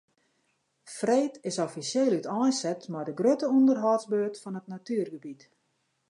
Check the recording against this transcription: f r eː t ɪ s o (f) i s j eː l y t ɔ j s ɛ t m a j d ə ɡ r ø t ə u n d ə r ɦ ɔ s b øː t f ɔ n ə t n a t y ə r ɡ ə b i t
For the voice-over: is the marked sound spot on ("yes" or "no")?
yes